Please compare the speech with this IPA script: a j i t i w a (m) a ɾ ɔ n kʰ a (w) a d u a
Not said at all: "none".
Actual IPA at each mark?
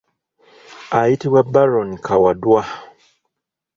b, w

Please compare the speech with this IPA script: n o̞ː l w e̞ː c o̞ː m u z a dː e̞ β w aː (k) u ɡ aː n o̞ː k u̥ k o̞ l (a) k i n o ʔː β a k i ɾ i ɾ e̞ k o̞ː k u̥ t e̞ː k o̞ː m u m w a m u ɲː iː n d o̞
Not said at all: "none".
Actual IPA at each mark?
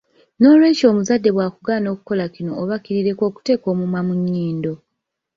k, a

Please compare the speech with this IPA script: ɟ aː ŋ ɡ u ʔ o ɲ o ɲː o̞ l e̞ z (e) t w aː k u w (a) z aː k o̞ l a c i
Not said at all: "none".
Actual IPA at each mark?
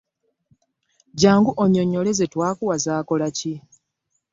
e, a

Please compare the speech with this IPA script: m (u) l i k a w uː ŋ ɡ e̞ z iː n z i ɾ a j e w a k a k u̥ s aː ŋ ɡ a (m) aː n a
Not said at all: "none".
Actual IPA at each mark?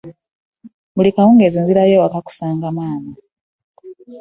u, m

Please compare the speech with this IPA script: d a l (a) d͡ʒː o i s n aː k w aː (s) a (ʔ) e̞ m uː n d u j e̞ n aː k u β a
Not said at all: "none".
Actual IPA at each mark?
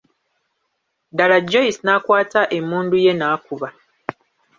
a, t, ʔ

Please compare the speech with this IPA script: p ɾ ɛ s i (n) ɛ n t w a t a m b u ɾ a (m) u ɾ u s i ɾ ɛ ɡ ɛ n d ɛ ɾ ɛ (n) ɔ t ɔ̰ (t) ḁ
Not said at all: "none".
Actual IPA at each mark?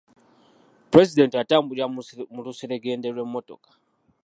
d, m, m, k

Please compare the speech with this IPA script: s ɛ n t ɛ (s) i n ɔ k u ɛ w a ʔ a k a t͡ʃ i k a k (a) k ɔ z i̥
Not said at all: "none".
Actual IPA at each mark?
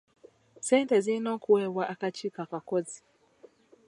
z, a

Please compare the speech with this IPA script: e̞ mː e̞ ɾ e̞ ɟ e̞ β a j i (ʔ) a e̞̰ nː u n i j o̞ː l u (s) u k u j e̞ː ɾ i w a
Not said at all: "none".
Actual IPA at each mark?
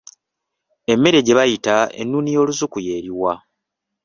t, z

